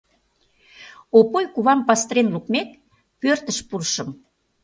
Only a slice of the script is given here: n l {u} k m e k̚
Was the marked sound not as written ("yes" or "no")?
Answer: no